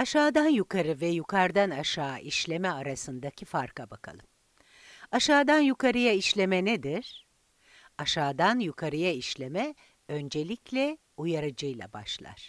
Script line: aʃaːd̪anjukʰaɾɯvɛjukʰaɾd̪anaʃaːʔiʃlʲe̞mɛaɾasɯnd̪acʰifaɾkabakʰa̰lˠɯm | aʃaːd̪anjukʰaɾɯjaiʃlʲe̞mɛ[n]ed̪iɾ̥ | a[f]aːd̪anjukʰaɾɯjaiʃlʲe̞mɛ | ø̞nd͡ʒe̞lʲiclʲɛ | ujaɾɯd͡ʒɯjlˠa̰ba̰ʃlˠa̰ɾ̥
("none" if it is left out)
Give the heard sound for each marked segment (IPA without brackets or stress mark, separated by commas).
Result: n, ʃ